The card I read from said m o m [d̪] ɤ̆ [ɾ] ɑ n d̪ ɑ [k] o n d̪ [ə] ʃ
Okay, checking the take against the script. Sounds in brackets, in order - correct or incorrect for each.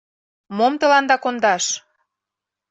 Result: incorrect, incorrect, correct, incorrect

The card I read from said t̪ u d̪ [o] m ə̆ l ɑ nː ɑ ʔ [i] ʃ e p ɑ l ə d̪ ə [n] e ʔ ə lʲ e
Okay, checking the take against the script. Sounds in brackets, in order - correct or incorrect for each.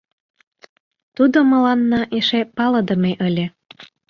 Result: correct, incorrect, incorrect

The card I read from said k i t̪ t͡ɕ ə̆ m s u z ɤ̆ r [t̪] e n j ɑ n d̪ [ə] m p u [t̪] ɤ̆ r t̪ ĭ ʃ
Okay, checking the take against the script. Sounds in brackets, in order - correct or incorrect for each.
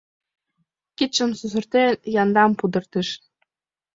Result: correct, incorrect, incorrect

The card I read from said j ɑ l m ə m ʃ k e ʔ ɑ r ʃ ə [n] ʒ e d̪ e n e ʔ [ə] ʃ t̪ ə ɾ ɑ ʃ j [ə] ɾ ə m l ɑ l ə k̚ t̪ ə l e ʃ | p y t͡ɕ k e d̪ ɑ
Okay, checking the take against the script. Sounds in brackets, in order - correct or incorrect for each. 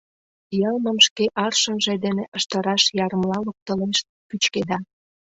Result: correct, correct, incorrect

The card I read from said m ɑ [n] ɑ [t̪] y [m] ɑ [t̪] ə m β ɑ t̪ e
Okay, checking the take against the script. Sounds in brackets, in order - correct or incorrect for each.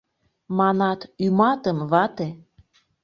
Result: correct, correct, correct, correct

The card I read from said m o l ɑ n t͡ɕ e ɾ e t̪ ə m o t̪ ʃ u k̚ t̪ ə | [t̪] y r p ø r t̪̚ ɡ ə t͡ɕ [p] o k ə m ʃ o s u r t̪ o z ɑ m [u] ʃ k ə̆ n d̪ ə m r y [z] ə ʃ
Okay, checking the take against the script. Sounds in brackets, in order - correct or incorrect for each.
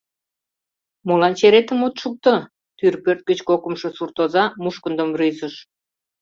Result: correct, incorrect, correct, correct

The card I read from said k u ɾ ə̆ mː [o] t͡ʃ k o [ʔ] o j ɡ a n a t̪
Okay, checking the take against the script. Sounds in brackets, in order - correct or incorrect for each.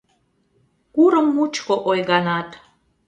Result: incorrect, correct

